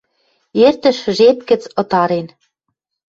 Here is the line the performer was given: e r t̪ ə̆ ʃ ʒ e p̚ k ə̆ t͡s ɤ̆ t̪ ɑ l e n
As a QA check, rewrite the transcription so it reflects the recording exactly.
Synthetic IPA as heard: e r t̪ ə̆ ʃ ʒ e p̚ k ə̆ t͡s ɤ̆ t̪ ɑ ɾ e n